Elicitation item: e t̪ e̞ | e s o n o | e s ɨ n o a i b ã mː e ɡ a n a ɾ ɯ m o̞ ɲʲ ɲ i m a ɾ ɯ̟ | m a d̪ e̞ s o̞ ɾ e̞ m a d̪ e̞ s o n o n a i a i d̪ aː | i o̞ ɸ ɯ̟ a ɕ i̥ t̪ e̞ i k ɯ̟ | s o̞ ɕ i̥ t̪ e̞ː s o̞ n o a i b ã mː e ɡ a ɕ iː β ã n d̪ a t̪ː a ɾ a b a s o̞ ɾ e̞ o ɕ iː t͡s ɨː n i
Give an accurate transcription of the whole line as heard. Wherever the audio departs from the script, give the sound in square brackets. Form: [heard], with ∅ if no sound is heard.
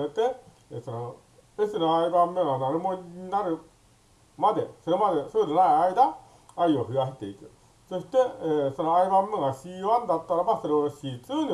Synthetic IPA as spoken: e t̪ e̞ | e s o n o | e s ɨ n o a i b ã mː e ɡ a n a ɾ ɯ m o̞ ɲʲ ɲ i [n] a ɾ ɯ̟ | m a d̪ e̞ s o̞ ɾ e̞ m a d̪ e̞ s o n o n a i a i d̪ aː | i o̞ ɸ ɯ̟ a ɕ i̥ t̪ e̞ i k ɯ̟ | s o̞ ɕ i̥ t̪ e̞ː s o̞ n o a i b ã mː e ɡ a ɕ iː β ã n d̪ a t̪ː a ɾ a b a s o̞ ɾ e̞ o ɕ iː t͡s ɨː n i